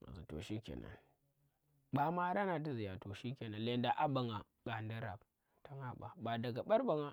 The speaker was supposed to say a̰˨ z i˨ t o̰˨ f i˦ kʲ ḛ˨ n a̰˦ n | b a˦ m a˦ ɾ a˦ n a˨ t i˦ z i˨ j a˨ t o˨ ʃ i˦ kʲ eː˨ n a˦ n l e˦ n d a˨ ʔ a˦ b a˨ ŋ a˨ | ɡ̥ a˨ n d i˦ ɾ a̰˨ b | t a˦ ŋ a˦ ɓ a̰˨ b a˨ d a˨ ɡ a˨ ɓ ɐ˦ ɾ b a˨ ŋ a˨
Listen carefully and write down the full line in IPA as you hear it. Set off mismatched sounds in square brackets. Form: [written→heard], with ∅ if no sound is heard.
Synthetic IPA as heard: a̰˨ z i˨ t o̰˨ [f→ʃ] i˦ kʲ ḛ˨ n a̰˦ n | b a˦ m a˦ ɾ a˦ n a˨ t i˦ z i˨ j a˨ t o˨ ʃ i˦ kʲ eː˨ n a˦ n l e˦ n d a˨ ʔ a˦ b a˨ ŋ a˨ | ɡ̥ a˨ n d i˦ ɾ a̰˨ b | t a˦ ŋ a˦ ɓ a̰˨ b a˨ d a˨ ɡ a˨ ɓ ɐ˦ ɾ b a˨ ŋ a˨